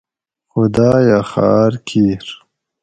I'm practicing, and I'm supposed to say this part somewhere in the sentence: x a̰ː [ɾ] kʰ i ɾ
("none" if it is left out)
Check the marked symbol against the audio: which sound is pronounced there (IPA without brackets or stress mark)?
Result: ɾ